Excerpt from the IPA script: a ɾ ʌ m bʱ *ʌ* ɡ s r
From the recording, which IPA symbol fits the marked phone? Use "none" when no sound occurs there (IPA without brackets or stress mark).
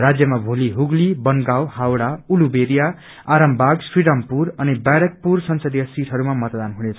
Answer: a